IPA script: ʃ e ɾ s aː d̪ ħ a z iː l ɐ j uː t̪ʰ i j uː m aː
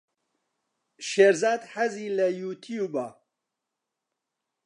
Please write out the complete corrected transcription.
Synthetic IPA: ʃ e ɾ z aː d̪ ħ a z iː l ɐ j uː t̪ʰ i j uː b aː